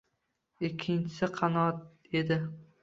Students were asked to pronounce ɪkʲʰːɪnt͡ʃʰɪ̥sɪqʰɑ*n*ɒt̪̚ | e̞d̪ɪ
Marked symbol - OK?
yes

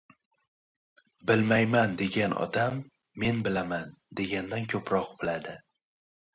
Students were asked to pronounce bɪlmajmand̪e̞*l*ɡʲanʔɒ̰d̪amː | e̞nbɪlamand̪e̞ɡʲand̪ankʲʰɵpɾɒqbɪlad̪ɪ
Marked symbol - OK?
no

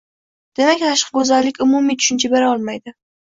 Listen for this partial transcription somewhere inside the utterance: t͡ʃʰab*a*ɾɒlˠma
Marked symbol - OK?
no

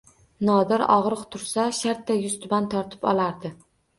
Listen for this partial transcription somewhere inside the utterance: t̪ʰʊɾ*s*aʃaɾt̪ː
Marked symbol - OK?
yes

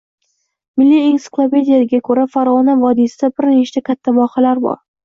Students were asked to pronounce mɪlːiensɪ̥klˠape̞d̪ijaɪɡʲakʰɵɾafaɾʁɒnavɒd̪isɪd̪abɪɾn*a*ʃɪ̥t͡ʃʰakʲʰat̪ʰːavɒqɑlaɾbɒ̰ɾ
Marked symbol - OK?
no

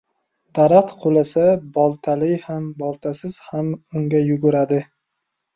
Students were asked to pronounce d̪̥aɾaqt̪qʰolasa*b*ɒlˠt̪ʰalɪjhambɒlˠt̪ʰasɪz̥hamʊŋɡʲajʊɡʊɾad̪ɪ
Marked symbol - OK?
yes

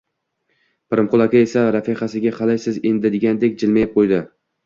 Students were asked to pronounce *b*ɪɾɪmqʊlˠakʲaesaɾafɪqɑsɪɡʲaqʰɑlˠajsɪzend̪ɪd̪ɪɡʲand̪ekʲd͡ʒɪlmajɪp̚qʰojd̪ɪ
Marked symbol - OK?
no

